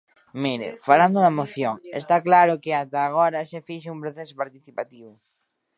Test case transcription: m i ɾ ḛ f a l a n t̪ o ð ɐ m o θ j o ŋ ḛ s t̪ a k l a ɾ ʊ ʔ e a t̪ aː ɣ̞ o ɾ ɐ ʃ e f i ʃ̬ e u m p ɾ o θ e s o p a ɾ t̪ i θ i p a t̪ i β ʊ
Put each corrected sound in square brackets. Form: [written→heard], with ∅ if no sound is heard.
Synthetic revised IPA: m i ɾ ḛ f a l a n [t̪→d̪] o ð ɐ m o θ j o ŋ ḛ s t̪ a k l a ɾ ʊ [ʔ→k] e a t̪ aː ɣ̞ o ɾ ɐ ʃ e f i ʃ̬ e u m p ɾ o θ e s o p a ɾ t̪ i θ i p a t̪ i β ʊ